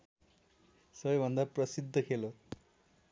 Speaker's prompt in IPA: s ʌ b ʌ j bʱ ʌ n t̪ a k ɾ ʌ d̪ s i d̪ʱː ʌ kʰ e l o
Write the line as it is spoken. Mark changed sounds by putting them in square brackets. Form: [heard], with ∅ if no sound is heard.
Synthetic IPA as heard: s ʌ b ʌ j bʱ ʌ n [d̪] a [p] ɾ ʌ [∅] s i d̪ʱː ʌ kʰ e l o